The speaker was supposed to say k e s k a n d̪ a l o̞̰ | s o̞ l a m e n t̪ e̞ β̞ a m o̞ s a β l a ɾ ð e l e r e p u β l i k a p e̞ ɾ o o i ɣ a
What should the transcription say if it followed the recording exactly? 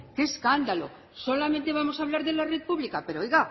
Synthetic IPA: k e s k a n d̪ a l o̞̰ | s o̞ l a m e n t̪ e̞ β̞ a m o̞ s a β l a ɾ ð e l a r e p u β l i k a p e̞ ɾ o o j ɣ a